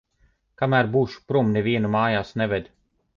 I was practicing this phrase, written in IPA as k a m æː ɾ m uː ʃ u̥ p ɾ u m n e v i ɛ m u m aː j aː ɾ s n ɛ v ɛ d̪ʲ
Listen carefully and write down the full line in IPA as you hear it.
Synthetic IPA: k a m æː ɾ b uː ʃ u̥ p ɾ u m n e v i ɛ n u m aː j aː s n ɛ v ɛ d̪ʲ